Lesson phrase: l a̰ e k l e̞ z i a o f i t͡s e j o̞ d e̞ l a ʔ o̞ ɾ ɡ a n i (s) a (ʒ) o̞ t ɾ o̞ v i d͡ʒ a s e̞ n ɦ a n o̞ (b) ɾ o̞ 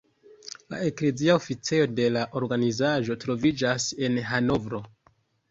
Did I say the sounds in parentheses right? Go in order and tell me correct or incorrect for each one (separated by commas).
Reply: incorrect, correct, incorrect